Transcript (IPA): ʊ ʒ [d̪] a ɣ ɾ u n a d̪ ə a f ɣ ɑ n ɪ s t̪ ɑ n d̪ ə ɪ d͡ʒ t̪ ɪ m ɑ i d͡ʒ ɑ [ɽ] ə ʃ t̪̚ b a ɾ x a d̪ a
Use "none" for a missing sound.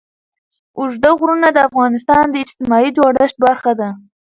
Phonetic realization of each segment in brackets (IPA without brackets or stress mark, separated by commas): d̪, ɽ